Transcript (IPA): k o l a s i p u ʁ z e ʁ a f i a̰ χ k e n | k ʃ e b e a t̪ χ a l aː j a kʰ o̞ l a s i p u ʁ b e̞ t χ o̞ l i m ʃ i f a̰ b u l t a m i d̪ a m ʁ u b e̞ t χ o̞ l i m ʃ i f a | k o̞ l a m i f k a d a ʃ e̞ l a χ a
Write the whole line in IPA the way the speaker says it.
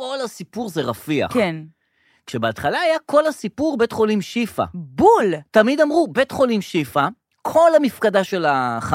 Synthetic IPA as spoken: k o l a s i p u ʁ z e ʁ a f i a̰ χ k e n | k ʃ e b e a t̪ χ a l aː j a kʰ o̞ l a s i p u ʁ b e̞ t χ o̞ l i m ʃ i f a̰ b u l t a m i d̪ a m ʁ u b e̞ t χ o̞ l i m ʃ i f a | kʰ o̞ l a m i f k a d a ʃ e̞ l a χ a